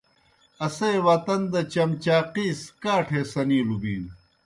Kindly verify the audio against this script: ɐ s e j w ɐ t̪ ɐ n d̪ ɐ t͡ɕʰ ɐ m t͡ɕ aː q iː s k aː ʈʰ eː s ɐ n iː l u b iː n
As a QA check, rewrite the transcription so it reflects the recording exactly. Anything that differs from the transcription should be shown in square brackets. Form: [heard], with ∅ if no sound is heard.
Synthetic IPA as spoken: ɐ s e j w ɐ t̪ ɐ n d̪ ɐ [t͡ɕ] ɐ m t͡ɕ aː q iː s k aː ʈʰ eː s ɐ n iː l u b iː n